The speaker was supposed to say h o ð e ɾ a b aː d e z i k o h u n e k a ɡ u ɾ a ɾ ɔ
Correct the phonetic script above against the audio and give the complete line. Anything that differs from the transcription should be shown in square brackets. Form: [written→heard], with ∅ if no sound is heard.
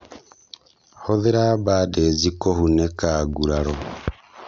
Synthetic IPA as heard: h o ð e ɾ a b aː d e z i k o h u n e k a ɡ u ɾ a ɾ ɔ